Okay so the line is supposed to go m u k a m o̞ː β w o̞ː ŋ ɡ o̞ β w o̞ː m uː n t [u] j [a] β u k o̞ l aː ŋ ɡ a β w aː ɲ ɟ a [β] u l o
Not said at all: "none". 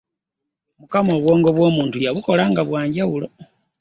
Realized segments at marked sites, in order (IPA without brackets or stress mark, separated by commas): u, a, w